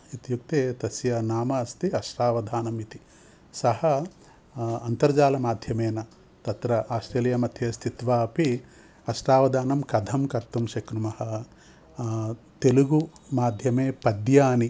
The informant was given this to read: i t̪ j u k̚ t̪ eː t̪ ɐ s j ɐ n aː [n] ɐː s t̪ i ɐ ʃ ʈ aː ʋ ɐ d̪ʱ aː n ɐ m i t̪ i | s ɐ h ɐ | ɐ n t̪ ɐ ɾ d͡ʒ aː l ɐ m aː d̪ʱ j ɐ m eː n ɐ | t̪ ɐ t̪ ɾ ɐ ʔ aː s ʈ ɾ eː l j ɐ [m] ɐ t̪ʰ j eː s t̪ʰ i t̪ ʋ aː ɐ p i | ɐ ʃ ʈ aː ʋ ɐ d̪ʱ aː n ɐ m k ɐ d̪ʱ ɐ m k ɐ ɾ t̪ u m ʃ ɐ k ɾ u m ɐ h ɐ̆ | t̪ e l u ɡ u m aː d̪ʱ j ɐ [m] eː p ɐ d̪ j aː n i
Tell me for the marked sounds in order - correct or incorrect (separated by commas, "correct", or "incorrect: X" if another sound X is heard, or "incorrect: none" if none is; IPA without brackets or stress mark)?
incorrect: m, correct, correct